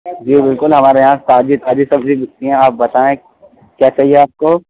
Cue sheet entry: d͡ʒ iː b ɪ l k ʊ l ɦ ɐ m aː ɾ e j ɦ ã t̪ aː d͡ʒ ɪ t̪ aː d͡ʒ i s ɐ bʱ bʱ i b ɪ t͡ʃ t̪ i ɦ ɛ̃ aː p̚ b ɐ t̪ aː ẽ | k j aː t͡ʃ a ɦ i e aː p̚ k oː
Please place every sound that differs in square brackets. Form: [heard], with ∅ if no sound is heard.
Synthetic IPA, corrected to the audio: d͡ʒ iː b ɪ l k ʊ l ɦ ɐ m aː ɾ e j ɦ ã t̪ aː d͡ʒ [i] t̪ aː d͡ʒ i s ɐ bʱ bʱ i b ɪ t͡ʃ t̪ i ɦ ɛ̃ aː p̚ b ɐ t̪ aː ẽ | k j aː t͡ʃ a ɦ i e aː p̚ k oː